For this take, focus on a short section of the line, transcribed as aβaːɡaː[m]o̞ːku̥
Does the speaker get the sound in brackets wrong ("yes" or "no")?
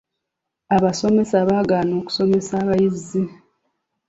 yes